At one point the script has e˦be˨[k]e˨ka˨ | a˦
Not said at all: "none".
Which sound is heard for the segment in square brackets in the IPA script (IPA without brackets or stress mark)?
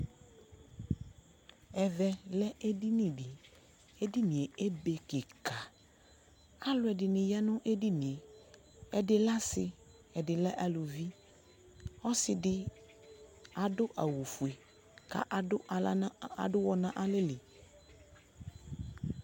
k